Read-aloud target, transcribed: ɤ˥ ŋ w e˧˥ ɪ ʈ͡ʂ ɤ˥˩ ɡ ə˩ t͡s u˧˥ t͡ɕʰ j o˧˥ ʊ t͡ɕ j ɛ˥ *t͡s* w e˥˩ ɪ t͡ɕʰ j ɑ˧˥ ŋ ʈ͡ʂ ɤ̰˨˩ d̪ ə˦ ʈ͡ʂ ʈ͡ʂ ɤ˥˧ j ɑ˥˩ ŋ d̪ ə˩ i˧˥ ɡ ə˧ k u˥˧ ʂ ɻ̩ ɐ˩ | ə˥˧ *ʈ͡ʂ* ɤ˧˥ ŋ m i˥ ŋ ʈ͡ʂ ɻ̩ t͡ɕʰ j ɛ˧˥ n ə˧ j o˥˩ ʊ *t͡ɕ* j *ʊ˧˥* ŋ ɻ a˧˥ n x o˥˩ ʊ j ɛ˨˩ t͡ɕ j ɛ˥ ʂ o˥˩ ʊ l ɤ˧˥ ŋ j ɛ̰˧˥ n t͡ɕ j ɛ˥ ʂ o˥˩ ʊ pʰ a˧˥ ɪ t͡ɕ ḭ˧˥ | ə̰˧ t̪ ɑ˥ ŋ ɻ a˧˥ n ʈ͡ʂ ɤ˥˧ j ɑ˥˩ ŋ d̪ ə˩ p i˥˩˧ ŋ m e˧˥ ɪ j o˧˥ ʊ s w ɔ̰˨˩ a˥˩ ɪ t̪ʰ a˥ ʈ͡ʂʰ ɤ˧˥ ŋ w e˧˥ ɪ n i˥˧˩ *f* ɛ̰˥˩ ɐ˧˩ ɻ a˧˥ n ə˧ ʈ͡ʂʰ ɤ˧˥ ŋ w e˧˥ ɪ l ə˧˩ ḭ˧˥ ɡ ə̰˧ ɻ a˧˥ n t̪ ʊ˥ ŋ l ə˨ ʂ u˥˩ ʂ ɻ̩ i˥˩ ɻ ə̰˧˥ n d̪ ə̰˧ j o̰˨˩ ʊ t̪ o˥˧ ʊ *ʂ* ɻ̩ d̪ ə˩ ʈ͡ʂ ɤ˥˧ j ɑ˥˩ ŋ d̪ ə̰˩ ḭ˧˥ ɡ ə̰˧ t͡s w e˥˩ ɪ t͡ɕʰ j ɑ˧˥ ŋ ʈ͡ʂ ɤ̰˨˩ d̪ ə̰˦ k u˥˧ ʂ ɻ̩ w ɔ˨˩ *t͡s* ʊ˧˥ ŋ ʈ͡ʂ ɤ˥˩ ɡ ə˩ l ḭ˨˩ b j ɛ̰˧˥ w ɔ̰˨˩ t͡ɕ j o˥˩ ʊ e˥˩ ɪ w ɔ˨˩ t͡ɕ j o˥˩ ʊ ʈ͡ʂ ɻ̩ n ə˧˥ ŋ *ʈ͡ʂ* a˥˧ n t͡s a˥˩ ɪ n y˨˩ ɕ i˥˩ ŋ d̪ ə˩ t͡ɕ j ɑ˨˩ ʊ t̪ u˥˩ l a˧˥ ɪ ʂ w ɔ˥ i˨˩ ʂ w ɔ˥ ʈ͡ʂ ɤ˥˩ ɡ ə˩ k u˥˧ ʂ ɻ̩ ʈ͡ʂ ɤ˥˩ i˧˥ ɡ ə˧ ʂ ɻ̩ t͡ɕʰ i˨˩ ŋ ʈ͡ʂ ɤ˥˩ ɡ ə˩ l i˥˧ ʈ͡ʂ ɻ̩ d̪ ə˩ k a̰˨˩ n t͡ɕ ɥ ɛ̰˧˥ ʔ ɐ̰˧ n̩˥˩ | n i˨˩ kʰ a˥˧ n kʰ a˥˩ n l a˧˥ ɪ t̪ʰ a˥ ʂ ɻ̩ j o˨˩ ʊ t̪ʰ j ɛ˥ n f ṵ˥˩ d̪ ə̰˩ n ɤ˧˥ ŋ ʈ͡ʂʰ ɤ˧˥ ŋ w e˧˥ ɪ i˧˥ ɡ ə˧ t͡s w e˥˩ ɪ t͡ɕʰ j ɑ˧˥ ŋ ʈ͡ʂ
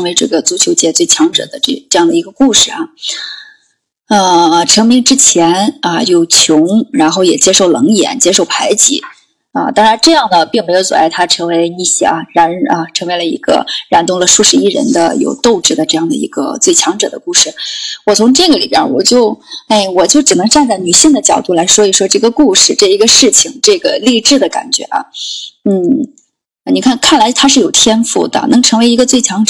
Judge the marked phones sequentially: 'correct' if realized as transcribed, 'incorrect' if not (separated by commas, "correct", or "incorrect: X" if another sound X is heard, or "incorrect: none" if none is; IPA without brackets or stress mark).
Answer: correct, incorrect: ʈ͡ʂʰ, incorrect: t͡ɕʰ, correct, incorrect: ɕ, incorrect: ʈ͡ʂ, incorrect: t͡sʰ, correct